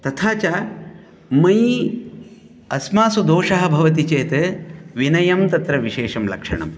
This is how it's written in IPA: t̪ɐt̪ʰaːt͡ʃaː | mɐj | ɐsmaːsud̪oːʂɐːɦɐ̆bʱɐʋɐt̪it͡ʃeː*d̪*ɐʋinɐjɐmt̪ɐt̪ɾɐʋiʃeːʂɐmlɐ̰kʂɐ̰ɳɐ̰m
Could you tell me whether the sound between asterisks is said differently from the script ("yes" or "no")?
yes